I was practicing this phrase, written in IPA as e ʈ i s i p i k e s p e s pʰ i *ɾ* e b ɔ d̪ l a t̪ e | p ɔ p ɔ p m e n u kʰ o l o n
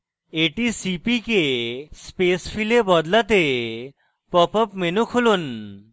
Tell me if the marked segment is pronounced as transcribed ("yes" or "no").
no